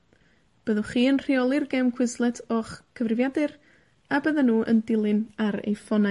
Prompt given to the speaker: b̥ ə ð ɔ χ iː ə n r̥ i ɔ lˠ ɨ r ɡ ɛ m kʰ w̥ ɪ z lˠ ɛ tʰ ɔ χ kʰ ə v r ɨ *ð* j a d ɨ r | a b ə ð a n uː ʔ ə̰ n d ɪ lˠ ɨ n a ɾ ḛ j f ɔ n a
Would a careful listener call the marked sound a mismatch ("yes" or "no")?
yes